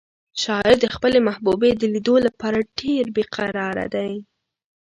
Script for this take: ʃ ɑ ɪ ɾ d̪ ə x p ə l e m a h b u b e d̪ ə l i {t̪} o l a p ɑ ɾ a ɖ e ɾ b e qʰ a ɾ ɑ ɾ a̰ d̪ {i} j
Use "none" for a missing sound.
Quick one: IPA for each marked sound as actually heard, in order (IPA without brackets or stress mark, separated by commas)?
d̪, a